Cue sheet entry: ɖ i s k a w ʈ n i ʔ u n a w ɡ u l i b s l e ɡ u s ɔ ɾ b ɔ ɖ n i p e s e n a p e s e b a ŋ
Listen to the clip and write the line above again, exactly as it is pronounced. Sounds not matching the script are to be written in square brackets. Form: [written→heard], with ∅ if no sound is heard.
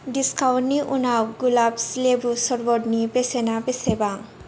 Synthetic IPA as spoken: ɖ i s k a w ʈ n i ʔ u n a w ɡ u l [i→a] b s l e [ɡ→b] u s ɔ ɾ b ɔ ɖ n i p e s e n a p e s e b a ŋ